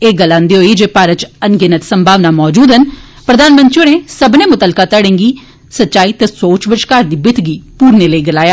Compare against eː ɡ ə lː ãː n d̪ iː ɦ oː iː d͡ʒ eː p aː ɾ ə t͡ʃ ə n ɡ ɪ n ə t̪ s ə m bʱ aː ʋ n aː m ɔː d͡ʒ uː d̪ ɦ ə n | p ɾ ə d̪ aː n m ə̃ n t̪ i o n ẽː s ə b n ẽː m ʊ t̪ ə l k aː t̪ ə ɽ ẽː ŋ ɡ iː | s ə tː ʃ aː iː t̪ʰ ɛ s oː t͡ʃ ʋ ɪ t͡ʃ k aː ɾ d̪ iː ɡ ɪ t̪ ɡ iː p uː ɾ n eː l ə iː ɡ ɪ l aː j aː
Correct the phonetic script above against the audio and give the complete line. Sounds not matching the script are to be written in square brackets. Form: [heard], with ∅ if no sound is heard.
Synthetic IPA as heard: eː ɡ ə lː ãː n d̪ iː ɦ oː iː d͡ʒ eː p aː ɾ ə t͡ʃ ə n ɡ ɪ n ə t̪ s ə m bʱ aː ʋ n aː m ɔː d͡ʒ uː d̪ ɦ ə n | p ɾ ə d̪ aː n m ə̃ n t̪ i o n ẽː s ə b n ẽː m ʊ t̪ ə l k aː t̪ ə ɽ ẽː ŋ ɡ iː | s ə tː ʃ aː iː [t̪] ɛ s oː t͡ʃ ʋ ɪ t͡ʃ k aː ɾ d̪ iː [b] ɪ t̪ ɡ iː p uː ɾ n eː l ə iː ɡ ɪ l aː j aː

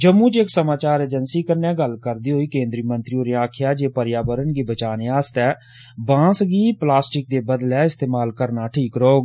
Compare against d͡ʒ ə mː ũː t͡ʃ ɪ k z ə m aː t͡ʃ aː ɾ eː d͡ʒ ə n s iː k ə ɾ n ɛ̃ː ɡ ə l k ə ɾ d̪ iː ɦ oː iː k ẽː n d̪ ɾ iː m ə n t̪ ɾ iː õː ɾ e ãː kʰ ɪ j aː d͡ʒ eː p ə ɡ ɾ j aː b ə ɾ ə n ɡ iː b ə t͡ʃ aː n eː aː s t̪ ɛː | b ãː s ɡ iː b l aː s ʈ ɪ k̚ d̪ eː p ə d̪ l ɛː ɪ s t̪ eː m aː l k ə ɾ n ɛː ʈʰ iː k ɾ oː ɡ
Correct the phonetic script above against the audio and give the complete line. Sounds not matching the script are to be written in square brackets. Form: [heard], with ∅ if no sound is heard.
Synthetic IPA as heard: d͡ʒ ə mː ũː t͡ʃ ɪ k [s] ə m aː t͡ʃ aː ɾ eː d͡ʒ ə n s iː k ə ɾ n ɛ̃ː ɡ ə l k ə ɾ d̪ iː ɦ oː iː k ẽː n d̪ ɾ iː m ə n t̪ ɾ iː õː ɾ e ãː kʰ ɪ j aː d͡ʒ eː p ə [∅] ɾ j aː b ə ɾ ə n ɡ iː b ə t͡ʃ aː n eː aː s t̪ ɛː | b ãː s ɡ iː [p] l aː s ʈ ɪ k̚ d̪ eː [b] ə d̪ l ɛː ɪ s t̪ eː m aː l k ə ɾ n [aː] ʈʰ iː k ɾ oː ɡ

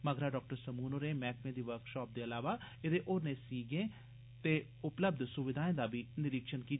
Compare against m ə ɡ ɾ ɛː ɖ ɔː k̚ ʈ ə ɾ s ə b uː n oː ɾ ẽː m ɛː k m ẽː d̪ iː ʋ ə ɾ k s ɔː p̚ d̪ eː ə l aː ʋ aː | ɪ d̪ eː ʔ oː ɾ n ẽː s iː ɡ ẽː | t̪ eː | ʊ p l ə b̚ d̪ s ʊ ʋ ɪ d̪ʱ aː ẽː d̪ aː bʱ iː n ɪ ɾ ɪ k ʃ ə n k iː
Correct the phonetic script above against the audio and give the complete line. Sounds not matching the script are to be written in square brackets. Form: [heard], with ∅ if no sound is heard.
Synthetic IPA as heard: m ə ɡ ɾ [aː] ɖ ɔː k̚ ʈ ə ɾ s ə [m] uː n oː ɾ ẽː m ɛː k m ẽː d̪ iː ʋ ə ɾ k [ʃ] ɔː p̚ d̪ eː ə l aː ʋ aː | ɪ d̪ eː ʔ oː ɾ n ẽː s iː ɡ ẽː | t̪ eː | ʊ p l ə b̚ d̪ s ʊ ʋ ɪ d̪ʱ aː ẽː d̪ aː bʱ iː n ɪ ɾ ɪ k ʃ ə n k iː

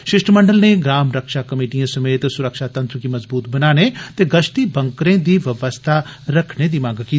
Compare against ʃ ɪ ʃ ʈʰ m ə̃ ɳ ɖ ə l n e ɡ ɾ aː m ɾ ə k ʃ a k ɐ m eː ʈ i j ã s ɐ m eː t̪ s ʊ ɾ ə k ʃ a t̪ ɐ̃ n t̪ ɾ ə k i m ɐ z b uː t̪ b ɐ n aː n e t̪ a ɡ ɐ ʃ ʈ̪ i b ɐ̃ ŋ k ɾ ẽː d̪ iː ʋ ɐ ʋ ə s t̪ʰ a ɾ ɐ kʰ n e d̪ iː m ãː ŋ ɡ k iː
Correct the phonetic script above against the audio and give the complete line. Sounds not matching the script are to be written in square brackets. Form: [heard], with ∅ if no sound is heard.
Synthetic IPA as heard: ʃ ɪ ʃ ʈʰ m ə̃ ɳ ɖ ə l n e ɡ ɾ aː m ɾ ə k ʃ a k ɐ m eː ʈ i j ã s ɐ m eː t̪ s ʊ ɾ ə k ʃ a t̪ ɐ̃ n t̪ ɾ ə k i m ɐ z b uː t̪ b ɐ n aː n e t̪ [e] ɡ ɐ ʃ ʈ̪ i b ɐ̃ ŋ k ɾ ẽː d̪ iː ʋ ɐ ʋ ə s t̪ʰ a ɾ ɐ kʰ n e d̪ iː m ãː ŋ ɡ k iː

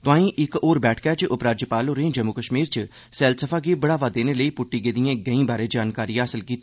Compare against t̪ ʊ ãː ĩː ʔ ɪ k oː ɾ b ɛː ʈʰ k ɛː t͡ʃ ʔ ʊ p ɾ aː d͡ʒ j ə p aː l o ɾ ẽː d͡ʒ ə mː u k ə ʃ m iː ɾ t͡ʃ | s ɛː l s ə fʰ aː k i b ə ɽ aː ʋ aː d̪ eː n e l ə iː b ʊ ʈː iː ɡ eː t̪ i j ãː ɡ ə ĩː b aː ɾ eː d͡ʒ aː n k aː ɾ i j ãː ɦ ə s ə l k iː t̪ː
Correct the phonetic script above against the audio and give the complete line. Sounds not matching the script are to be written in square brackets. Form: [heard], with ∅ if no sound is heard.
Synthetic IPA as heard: t̪ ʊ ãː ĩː ʔ ɪ k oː ɾ b ɛː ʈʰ k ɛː t͡ʃ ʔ ʊ p ɾ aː d͡ʒ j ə p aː l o ɾ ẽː d͡ʒ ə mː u k ə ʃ m iː ɾ t͡ʃ | s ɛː l s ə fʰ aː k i b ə ɽ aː ʋ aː d̪ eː n e l ə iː [p] ʊ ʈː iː ɡ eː [d̪] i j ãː ɡ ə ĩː b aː ɾ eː d͡ʒ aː n k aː ɾ i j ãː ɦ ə s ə l k iː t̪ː

